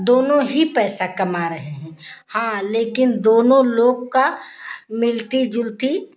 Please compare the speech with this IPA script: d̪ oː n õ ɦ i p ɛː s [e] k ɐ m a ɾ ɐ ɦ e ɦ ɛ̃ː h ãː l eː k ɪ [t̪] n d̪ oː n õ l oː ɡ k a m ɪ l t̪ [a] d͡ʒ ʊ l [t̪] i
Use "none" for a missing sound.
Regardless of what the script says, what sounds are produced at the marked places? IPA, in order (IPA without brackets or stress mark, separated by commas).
a, none, i, t̪